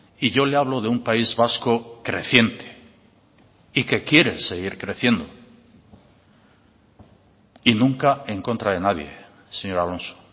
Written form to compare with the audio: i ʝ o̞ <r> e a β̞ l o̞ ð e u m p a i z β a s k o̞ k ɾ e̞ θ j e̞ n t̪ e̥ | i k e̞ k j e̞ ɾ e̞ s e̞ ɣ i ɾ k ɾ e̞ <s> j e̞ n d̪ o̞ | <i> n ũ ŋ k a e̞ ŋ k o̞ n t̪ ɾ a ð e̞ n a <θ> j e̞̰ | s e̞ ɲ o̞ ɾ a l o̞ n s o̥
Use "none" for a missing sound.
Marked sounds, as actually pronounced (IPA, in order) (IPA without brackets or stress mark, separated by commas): l, θ, i, ð